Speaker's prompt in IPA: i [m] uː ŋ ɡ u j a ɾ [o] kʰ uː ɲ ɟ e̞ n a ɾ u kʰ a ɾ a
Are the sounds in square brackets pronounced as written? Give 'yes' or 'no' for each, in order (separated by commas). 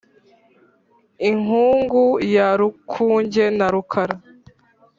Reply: no, no